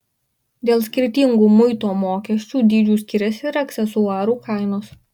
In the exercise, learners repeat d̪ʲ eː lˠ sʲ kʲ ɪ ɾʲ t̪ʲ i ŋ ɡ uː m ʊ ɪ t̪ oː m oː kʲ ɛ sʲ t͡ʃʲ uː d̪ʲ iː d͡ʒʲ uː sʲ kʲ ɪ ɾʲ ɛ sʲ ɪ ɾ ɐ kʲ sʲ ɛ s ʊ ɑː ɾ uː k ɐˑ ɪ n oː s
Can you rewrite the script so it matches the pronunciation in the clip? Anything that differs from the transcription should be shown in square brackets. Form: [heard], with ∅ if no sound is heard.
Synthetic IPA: d̪ʲ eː lˠ sʲ kʲ ɪ ɾʲ t̪ʲ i ŋ ɡ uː m ʊ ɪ t̪ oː m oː kʲ ɛ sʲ t͡ʃʲ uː d̪ʲ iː d͡ʒʲ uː sʲ kʲ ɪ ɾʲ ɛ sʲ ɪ ɾ ɐ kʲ sʲ ɛ s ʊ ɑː ɾ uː k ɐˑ ɪ n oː s

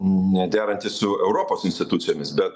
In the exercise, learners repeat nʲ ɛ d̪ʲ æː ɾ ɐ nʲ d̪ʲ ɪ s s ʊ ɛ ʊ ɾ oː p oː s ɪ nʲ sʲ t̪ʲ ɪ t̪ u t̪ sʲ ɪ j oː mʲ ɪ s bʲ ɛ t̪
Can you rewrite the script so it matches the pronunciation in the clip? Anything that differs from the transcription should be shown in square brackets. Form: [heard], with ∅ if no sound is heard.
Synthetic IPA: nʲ ɛ d̪ʲ æː ɾ ɐ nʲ [t̪ʲ] ɪ s s ʊ ɛ ʊ ɾ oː p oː s ɪ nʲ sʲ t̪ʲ ɪ t̪ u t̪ sʲ ɪ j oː mʲ ɪ s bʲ ɛ t̪

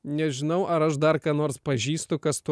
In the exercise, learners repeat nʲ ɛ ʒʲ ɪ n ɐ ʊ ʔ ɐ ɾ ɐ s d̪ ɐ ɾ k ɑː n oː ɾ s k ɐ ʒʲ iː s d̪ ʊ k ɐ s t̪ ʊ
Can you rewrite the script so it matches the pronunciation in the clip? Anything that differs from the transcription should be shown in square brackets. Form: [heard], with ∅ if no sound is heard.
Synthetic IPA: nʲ ɛ ʒʲ ɪ n ɐ ʊ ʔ ɐ ɾ ɐ [ʃ] d̪ ɐ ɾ k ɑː n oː ɾ s [p] ɐ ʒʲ iː s [t̪] ʊ k ɐ s t̪ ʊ

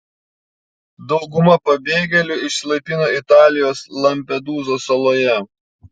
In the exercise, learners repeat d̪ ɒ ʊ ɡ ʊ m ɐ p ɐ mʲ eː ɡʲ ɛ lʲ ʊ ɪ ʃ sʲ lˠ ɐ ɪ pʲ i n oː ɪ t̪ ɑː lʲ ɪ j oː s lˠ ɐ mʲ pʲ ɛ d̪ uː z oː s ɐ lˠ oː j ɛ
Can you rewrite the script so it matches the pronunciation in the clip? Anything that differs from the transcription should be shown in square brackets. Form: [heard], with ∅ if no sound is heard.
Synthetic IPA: d̪ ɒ ʊ ɡ ʊ m ɐ p ɐ [bʲ] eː ɡʲ ɛ lʲ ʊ ɪ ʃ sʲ lˠ ɐ ɪ pʲ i n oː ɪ t̪ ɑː lʲ ɪ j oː s lˠ ɐ mʲ pʲ ɛ d̪ uː z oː s ɐ lˠ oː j ɛ

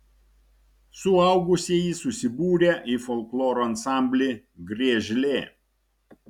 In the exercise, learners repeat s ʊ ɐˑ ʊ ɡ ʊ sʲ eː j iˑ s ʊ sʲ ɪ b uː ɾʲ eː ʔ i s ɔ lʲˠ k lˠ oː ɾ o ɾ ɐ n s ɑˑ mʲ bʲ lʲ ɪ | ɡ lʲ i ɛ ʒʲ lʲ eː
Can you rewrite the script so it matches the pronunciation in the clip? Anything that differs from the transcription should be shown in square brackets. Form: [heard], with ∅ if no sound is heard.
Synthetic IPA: s ʊ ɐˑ ʊ ɡ ʊ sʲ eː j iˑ s ʊ sʲ ɪ b uː ɾʲ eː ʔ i [f] ɔ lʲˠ k lˠ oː ɾ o [∅] ɐ n s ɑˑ mʲ bʲ lʲ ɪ | ɡ [ɾʲ] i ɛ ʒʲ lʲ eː

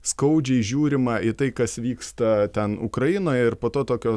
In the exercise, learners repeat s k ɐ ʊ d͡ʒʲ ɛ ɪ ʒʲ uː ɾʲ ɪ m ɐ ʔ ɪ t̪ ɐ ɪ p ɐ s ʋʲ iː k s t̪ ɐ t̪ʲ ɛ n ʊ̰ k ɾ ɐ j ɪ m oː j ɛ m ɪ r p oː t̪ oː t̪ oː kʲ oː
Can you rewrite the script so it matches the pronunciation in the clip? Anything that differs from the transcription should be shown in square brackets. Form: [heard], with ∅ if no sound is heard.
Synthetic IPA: s k ɐ ʊ d͡ʒʲ ɛ ɪ ʒʲ uː ɾʲ ɪ m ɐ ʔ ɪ t̪ ɐ ɪ [k] ɐ s ʋʲ iː k s t̪ ɐ t̪ʲ ɛ n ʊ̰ k ɾ ɐ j ɪ [n] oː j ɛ [∅] ɪ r p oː t̪ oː t̪ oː kʲ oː

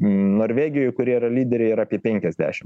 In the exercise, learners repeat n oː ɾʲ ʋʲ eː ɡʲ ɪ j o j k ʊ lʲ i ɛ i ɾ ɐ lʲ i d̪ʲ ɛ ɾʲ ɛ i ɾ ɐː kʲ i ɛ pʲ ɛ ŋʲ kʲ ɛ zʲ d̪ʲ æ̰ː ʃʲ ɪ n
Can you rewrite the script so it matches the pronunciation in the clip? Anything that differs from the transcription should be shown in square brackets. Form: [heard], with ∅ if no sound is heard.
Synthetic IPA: n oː ɾʲ ʋʲ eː ɡʲ ɪ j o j k ʊ [ɾʲ] i ɛ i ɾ ɐ lʲ [iː] d̪ʲ ɛ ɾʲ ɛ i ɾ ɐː [pʲ] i ɛ pʲ ɛ ŋʲ kʲ ɛ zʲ d̪ʲ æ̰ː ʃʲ ɪ [m]

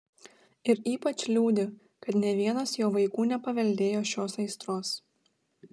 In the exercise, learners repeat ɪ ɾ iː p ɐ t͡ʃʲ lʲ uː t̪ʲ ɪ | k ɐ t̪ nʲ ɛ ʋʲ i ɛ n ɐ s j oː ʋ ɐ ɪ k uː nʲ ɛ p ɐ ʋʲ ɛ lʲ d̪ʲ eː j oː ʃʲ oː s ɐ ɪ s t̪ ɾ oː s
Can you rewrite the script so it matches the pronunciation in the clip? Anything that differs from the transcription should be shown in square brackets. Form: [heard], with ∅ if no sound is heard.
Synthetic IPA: ɪ ɾ iː p ɐ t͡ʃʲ lʲ uː [d̪ʲ] ɪ | k ɐ t̪ nʲ ɛ ʋʲ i ɛ n ɐ s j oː ʋ ɐ ɪ k uː nʲ ɛ p ɐ ʋʲ ɛ lʲ d̪ʲ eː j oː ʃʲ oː s ɐ ɪ s t̪ ɾ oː s

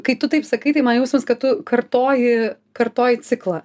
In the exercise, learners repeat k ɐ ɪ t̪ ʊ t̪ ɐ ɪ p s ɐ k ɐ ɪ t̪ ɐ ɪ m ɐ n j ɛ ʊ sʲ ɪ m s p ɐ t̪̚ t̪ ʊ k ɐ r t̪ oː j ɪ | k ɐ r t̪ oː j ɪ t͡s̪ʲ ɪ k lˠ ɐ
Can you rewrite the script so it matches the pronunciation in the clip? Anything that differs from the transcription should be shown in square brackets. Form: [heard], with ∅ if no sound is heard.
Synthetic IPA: k ɐ ɪ t̪ ʊ t̪ ɐ ɪ p s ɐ k ɐ ɪ t̪ ɐ ɪ m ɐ n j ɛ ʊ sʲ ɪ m s [k] ɐ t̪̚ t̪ ʊ k ɐ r t̪ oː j ɪ | k ɐ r t̪ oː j ɪ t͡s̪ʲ ɪ k lˠ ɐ

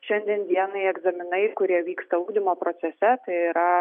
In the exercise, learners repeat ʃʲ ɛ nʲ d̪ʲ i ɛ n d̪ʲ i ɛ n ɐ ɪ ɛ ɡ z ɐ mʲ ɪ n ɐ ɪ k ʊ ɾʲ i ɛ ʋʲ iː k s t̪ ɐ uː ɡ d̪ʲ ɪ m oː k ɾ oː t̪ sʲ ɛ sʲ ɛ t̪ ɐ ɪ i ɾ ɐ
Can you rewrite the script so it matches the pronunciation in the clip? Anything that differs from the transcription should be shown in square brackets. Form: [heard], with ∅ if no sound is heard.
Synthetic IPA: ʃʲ ɛ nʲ d̪ʲ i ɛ n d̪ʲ i ɛ n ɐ ɪ ɛ ɡ z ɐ mʲ ɪ n ɐ ɪ k ʊ ɾʲ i ɛ ʋʲ iː k s t̪ ɐ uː ɡ d̪ʲ ɪ m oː [p] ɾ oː t̪ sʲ ɛ sʲ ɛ t̪ ɐ ɪ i ɾ ɐ

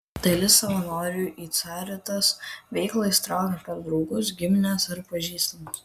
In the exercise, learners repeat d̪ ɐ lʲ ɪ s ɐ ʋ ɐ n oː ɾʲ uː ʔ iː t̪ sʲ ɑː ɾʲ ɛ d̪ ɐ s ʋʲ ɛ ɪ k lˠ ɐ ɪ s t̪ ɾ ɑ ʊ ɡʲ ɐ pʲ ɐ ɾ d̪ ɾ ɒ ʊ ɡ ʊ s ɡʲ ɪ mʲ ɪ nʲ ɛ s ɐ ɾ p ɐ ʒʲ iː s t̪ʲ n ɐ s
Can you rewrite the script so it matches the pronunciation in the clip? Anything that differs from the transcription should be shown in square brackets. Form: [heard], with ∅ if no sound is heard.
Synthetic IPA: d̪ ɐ lʲ ɪ s ɐ ʋ ɐ n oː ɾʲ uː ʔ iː t̪ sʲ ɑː ɾʲ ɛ [t̪] ɐ s ʋʲ ɛ ɪ k lˠ ɐ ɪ s t̪ ɾ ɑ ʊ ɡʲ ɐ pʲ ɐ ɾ d̪ ɾ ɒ ʊ ɡ ʊ s ɡʲ ɪ mʲ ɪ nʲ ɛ s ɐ ɾ p ɐ ʒʲ iː s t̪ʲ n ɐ s

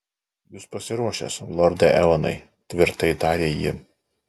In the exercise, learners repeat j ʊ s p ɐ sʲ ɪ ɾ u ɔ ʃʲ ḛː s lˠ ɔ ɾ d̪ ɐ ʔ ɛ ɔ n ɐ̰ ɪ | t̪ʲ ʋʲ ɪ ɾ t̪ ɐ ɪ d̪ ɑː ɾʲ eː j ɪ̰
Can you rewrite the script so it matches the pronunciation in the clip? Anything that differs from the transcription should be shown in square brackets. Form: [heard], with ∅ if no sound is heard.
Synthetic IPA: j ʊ s p ɐ sʲ ɪ ɾ u ɔ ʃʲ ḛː s lˠ ɔ ɾ d̪ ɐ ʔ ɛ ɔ n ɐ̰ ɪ | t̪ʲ ʋʲ ɪ ɾ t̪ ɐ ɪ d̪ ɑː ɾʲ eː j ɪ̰

